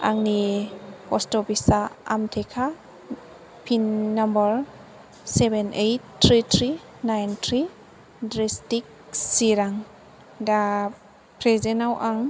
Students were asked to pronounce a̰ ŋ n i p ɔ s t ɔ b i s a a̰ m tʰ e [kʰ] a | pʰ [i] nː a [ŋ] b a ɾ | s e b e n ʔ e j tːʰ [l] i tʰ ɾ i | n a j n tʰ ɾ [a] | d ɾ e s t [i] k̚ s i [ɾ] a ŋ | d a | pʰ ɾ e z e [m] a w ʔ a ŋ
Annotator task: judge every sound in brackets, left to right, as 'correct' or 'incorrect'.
correct, correct, incorrect, incorrect, incorrect, correct, correct, incorrect

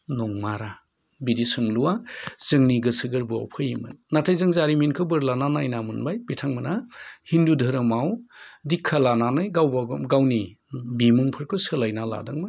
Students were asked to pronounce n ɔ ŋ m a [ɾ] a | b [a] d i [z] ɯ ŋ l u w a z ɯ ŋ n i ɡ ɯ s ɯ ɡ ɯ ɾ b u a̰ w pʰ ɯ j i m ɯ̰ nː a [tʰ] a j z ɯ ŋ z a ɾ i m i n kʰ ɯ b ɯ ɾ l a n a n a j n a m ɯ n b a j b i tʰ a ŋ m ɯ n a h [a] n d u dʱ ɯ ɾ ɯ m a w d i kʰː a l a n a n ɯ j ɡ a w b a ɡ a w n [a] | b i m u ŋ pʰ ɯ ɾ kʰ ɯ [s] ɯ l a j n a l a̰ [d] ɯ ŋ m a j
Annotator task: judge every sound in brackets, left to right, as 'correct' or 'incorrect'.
correct, incorrect, incorrect, correct, incorrect, incorrect, correct, correct

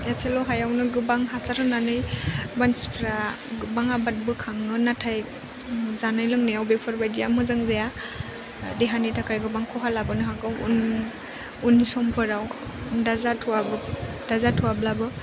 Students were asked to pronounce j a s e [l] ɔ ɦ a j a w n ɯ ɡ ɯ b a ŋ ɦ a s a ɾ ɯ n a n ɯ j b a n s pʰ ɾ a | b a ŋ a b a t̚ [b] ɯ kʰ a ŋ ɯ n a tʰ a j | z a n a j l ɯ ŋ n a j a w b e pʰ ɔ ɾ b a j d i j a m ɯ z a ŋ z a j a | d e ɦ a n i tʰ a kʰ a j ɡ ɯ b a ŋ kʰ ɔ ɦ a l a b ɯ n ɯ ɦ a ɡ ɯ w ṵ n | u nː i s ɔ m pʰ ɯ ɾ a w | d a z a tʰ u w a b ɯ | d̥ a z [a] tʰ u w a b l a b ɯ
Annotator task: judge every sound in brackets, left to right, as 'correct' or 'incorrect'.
correct, correct, correct

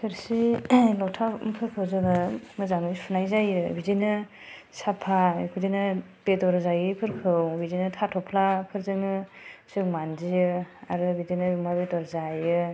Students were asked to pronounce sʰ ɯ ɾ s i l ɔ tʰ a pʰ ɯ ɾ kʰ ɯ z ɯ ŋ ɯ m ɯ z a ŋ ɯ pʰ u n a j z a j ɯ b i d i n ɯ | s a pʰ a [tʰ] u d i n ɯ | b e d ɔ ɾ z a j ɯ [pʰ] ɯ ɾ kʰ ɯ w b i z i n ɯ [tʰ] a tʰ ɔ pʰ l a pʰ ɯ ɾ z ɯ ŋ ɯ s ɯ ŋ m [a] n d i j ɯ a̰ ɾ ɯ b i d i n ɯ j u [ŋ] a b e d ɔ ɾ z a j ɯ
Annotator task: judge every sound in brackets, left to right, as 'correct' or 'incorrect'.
incorrect, correct, correct, correct, incorrect

